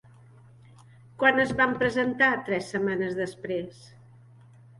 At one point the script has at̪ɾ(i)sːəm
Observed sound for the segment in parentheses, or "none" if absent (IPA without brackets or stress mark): ɛ